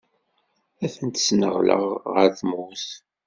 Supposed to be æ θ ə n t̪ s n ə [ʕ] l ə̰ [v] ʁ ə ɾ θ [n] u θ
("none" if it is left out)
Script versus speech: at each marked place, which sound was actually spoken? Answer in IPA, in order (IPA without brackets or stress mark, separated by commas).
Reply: ʁ, ʁ, m